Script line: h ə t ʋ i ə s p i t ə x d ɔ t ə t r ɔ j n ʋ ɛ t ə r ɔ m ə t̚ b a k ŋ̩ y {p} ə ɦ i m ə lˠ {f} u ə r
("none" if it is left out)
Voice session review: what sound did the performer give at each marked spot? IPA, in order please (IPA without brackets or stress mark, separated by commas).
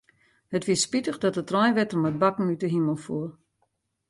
t, f